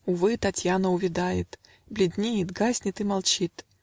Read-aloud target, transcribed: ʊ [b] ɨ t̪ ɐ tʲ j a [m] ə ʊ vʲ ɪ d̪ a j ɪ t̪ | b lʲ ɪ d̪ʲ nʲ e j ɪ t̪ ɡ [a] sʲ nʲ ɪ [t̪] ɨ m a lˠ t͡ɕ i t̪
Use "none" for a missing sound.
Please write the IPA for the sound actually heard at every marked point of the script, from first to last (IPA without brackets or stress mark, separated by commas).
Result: v, n, a, t̪